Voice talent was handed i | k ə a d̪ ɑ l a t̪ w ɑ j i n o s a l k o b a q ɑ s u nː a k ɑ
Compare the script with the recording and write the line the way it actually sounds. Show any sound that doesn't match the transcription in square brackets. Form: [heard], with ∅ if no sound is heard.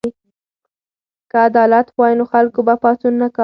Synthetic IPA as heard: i | k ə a d̪ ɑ l a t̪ w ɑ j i n o [x] a l k o b a [p] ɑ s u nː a k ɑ